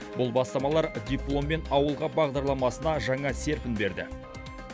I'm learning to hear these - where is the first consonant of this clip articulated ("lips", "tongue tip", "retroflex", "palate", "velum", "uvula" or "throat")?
lips